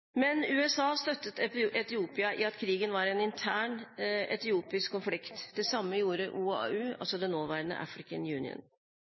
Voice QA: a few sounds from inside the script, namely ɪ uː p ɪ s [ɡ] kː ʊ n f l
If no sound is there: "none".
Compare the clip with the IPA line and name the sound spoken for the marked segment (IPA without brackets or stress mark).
k